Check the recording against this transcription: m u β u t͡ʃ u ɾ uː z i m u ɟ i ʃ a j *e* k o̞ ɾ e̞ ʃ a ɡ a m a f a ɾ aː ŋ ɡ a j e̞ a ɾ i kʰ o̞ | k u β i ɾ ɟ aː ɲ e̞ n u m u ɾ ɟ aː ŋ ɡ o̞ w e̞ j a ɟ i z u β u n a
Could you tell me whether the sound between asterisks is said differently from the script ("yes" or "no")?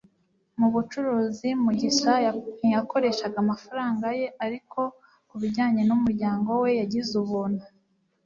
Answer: yes